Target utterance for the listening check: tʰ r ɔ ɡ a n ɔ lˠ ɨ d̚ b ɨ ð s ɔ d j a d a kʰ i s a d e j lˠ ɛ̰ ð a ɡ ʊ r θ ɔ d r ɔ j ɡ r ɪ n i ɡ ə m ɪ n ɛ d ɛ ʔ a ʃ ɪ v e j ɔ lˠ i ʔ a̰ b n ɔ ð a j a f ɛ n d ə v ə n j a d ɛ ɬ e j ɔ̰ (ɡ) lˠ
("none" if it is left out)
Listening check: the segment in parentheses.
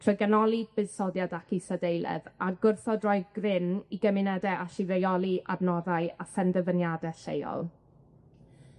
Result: none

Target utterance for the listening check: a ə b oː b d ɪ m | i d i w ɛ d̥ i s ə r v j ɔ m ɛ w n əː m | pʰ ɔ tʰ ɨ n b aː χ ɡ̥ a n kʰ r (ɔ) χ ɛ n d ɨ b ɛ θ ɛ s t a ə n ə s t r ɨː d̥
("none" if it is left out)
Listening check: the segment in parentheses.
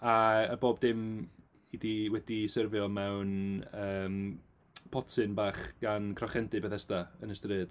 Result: ɔ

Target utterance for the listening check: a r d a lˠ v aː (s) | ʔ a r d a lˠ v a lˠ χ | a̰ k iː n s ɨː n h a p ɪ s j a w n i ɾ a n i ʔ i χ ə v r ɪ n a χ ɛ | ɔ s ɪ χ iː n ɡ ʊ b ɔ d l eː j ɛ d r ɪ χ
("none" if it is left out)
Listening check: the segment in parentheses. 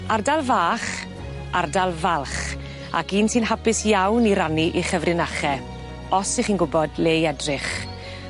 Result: χ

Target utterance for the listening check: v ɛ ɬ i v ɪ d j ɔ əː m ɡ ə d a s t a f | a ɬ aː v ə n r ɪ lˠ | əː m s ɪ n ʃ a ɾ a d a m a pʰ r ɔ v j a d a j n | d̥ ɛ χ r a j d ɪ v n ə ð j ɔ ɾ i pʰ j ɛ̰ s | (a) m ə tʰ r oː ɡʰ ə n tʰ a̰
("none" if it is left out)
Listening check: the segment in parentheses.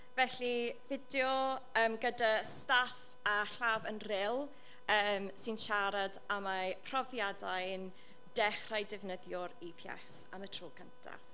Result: a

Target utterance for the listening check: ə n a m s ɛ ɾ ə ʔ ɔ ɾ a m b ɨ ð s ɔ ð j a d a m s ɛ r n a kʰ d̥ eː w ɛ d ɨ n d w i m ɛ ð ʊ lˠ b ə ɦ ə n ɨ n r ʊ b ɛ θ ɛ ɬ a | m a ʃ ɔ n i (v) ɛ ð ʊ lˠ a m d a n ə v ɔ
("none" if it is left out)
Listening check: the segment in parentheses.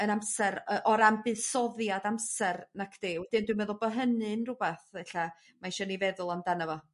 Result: v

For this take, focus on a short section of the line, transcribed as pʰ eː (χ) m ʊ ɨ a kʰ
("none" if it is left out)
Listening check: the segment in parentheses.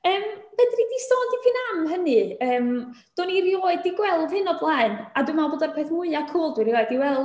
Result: θ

